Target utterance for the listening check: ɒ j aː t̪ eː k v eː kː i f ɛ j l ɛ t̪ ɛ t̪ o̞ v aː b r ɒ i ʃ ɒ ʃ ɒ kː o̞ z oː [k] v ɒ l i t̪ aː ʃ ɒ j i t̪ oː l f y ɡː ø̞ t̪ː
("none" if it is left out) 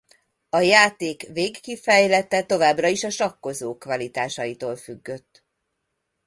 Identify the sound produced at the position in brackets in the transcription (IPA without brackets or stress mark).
k